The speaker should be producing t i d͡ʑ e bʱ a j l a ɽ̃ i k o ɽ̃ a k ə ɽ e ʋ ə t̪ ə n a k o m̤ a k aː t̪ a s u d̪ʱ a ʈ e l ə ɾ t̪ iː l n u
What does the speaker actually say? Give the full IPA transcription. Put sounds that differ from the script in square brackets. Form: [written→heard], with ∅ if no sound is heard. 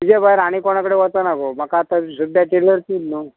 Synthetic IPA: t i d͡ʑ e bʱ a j [l→ɾ] a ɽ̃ i k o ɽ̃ a k ə ɽ e ʋ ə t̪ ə n a k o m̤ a k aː t̪ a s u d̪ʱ a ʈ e l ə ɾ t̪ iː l n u